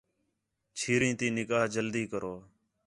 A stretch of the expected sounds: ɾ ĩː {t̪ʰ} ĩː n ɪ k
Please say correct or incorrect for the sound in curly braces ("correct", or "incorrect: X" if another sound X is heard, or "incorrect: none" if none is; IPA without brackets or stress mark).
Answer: incorrect: t̪